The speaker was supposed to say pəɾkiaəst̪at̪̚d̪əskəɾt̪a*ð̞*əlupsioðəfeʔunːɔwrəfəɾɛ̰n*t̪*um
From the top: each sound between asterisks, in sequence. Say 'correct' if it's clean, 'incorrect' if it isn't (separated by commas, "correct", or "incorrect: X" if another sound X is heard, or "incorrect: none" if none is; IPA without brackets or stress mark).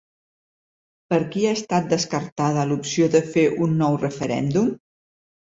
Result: correct, incorrect: d̪